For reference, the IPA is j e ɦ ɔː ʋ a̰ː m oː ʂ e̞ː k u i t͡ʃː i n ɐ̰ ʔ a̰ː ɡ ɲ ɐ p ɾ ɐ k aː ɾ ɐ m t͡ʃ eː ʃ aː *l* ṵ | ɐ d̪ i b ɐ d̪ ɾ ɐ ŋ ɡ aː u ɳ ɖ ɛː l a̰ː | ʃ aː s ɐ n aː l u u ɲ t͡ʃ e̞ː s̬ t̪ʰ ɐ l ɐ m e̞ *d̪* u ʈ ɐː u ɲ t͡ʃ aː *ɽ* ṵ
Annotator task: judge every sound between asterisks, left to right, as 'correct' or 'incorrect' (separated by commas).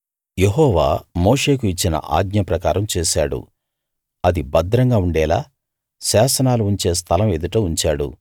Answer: incorrect, correct, correct